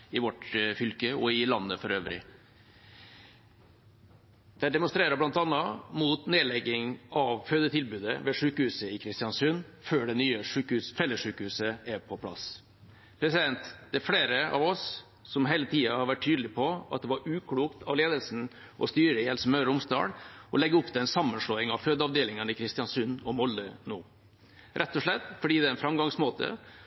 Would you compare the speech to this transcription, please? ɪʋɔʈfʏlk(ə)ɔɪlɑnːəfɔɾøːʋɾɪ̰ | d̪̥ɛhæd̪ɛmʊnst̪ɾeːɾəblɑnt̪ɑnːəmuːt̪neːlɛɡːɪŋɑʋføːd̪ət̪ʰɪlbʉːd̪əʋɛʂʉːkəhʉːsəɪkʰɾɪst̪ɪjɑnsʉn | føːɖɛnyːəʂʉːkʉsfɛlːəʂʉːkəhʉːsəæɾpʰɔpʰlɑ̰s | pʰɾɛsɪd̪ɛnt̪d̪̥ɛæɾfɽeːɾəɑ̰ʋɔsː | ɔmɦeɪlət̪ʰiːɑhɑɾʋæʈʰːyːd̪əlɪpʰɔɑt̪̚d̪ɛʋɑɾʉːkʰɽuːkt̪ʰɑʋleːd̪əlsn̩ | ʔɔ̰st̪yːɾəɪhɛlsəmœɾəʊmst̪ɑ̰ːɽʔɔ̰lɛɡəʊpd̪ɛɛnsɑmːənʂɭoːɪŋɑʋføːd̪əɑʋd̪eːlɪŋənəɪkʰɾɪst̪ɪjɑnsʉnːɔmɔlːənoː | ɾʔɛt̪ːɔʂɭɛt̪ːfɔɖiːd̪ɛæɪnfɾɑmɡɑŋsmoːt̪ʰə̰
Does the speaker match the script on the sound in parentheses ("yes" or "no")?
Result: yes